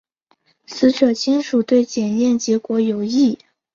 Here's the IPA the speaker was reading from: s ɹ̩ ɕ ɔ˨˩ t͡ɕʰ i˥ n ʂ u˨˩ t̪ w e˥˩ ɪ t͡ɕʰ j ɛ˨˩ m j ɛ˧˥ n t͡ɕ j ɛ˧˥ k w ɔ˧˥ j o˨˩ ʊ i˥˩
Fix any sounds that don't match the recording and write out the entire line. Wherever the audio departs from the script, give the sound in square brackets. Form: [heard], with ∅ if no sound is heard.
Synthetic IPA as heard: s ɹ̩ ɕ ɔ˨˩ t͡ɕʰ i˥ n ʂ u˨˩ t̪ w e˥˩ ɪ [t͡ɕ] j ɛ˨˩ [n] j [ɛ˥˩] n t͡ɕ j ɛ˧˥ k w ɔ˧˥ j o˨˩ ʊ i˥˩